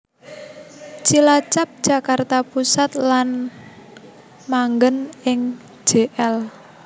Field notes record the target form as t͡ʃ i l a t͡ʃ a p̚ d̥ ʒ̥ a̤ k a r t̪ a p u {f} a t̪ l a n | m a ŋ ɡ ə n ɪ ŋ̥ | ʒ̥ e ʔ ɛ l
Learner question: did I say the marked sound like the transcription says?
no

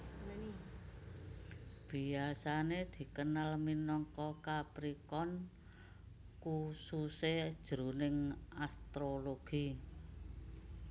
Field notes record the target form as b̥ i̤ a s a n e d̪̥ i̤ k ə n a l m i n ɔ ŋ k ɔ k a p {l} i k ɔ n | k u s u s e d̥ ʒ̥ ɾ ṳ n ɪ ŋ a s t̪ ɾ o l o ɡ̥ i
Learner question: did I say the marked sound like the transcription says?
no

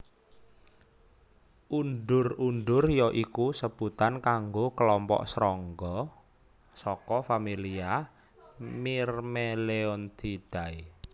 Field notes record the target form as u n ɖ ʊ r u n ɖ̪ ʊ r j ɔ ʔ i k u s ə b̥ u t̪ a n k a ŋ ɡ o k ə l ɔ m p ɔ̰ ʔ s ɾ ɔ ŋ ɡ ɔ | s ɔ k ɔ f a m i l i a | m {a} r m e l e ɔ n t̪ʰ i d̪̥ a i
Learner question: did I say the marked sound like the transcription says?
no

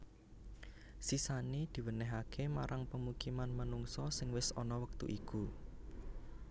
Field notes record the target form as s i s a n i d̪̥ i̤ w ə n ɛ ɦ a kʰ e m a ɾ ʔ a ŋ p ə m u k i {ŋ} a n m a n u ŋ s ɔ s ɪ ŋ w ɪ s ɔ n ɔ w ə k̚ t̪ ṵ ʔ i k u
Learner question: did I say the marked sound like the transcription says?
no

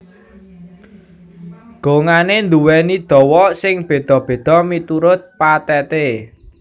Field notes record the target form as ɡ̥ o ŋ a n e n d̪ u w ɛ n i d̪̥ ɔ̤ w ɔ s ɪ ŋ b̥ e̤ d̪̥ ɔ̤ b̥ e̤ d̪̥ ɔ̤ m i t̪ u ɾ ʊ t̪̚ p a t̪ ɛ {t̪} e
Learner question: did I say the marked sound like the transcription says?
yes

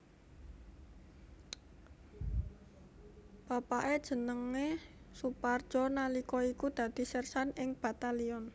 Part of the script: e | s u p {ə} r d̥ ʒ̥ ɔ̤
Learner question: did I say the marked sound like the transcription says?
no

